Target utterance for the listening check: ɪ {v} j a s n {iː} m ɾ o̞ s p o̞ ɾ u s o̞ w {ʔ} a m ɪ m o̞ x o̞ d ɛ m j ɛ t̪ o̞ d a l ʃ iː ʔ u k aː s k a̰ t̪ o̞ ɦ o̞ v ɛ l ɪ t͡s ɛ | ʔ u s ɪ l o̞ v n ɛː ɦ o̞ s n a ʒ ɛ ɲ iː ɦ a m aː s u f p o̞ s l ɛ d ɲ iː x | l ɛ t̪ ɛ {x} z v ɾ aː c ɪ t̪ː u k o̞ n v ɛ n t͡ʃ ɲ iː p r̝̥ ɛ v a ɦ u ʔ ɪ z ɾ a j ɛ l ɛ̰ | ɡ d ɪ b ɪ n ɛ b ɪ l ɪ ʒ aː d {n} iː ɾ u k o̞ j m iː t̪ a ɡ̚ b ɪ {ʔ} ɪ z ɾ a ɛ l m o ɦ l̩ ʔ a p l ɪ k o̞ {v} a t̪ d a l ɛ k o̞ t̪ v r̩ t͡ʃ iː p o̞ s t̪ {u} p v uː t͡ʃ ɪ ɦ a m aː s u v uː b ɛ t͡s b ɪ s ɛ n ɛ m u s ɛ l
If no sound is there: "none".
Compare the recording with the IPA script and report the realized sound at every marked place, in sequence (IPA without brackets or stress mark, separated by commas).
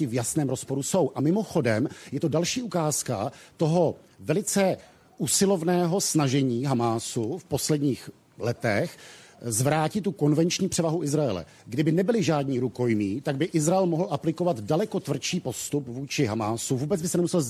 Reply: v, ɛː, ʔ, x, ɲ, ʔ, v, u